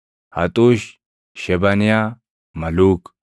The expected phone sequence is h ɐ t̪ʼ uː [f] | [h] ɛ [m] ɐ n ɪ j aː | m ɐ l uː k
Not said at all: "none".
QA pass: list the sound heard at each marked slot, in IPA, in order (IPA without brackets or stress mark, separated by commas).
ʃ, ʃ, b